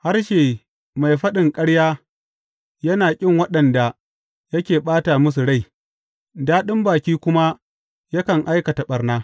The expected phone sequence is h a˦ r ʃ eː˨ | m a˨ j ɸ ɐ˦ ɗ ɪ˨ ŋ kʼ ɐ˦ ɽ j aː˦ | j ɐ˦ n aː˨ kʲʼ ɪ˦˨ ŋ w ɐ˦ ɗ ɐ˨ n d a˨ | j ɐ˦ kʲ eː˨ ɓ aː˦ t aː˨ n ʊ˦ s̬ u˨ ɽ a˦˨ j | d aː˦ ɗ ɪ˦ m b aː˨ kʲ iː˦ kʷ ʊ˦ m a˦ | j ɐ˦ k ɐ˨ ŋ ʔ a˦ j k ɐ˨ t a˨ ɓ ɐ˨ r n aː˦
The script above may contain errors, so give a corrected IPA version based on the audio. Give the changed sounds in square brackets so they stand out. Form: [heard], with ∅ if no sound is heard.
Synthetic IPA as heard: h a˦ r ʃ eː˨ | m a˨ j ɸ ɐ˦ ɗ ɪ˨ ŋ kʼ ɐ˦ ɽ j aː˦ | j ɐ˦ n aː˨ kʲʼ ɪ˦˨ ŋ w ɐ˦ ɗ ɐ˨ n d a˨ | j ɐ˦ kʲ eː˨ ɓ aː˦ t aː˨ [m] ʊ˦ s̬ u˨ ɽ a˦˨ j | d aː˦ ɗ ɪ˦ m b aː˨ kʲ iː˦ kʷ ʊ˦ m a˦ | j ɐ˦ k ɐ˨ ŋ ʔ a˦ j k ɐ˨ t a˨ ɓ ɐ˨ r n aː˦